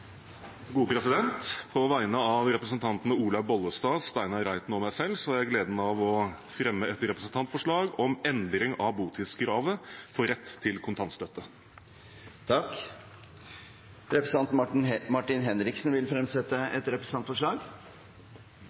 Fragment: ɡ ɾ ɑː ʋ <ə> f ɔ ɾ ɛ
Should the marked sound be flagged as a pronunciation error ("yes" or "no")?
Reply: no